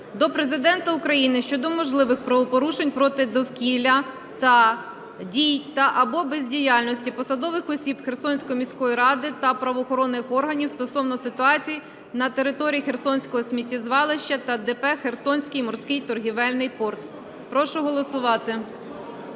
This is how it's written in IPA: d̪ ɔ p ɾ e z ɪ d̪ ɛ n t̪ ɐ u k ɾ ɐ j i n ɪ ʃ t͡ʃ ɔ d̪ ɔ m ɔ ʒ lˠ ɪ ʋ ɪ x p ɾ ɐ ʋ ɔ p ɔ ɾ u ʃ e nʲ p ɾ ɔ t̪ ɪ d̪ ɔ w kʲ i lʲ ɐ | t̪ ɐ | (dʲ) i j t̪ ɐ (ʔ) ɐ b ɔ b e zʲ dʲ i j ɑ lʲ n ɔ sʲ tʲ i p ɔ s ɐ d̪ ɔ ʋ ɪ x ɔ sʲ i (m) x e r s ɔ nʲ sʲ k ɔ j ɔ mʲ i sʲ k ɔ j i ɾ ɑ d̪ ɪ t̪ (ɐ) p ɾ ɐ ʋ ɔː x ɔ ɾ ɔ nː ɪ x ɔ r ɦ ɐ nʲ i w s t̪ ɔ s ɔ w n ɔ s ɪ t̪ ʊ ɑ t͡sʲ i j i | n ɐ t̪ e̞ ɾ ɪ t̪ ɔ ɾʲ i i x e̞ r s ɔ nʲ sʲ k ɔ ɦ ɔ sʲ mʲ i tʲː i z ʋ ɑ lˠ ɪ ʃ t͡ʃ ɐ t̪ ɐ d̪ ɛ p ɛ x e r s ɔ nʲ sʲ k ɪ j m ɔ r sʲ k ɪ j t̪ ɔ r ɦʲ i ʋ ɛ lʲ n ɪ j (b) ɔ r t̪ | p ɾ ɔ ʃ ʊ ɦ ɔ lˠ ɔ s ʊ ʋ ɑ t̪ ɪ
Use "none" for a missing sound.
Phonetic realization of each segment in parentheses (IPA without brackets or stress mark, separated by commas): dʲ, ʔ, b, ɐ, p